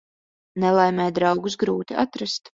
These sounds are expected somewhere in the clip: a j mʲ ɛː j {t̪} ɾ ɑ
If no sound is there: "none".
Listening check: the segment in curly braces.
d̪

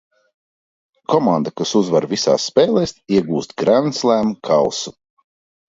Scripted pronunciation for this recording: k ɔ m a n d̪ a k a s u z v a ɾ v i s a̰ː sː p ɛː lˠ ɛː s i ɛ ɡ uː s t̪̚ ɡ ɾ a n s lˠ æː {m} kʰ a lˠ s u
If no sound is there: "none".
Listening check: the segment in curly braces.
m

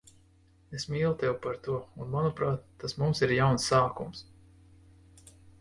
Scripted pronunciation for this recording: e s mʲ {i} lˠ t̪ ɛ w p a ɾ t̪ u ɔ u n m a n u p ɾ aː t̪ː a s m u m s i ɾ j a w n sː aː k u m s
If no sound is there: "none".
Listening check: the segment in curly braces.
iː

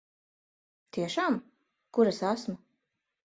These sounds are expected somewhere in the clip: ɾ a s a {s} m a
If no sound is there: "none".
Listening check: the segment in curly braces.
s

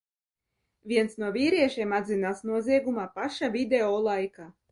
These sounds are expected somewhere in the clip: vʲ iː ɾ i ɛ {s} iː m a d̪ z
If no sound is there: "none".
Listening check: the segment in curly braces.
ʃ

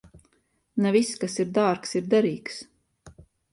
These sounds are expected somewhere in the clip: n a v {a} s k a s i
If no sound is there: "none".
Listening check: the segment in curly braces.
i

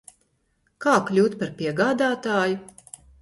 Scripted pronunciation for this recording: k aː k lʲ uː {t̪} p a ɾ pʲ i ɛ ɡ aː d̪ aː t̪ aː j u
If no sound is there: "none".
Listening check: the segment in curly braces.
t̪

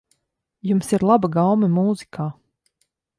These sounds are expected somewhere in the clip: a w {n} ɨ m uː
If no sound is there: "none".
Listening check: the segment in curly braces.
m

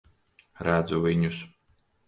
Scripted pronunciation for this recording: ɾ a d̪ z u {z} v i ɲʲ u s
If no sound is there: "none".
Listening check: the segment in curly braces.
none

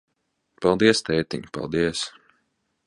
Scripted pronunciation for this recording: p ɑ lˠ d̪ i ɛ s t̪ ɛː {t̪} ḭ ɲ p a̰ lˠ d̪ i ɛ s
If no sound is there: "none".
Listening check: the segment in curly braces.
t̪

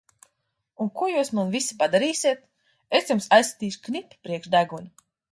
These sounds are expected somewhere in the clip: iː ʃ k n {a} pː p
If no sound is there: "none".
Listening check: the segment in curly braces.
i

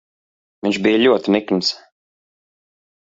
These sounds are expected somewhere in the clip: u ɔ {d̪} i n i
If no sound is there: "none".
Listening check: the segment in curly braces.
t̪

